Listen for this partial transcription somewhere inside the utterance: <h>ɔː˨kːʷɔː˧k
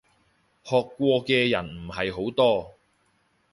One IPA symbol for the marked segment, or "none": h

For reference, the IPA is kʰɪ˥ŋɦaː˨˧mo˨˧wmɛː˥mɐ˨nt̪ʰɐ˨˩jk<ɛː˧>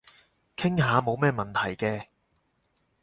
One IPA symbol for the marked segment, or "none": ɛː˧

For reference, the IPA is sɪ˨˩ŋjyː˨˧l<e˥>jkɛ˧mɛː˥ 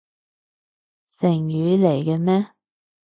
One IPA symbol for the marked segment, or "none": e˨˩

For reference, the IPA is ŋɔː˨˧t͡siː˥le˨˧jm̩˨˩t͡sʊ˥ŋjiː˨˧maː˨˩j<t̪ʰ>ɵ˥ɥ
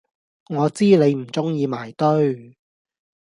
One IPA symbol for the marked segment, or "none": t̪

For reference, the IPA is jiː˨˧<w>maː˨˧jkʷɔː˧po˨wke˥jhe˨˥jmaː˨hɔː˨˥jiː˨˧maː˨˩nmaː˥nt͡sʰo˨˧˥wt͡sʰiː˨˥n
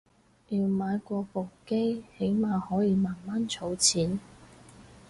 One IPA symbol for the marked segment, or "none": w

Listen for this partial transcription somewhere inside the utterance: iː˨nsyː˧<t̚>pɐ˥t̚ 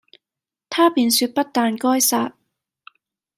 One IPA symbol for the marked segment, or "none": t̚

